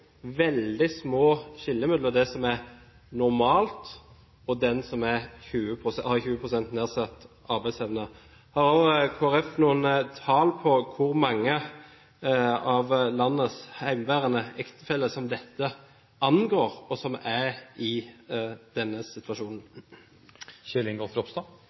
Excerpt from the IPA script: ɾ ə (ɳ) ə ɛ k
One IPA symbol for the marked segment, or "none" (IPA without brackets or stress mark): n